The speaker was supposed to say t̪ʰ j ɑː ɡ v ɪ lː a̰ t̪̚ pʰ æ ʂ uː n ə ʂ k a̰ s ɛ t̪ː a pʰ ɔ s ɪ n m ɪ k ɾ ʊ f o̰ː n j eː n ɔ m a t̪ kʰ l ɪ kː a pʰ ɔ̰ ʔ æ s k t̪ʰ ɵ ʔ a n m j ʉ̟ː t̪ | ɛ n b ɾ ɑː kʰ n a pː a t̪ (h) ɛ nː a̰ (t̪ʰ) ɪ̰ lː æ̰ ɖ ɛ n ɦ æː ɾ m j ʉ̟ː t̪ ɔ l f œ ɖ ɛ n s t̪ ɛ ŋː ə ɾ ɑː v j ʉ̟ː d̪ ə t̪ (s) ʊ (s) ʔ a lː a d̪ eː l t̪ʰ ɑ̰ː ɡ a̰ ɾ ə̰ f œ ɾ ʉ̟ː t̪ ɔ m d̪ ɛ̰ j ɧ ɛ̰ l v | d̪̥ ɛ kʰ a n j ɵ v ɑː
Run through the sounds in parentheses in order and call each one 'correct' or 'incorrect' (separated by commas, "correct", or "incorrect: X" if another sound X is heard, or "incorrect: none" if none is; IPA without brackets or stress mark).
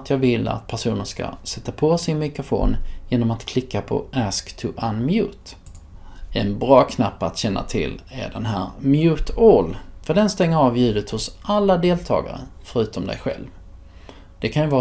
incorrect: ɕ, correct, incorrect: h, correct